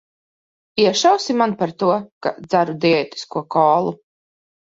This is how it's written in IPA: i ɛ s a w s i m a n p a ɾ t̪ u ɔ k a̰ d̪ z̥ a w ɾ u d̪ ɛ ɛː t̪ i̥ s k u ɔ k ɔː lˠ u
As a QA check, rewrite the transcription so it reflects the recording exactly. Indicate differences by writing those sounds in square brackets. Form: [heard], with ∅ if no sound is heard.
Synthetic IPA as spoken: i ɛ [ʃ] a w s i m a n p a ɾ t̪ u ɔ k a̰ d̪ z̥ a [∅] ɾ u d̪ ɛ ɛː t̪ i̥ s k u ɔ k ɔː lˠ u